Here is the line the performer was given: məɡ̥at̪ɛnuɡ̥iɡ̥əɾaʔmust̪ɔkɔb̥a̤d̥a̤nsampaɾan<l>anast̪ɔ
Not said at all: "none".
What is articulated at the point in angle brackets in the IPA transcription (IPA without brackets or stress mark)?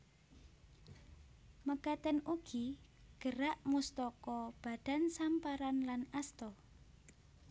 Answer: l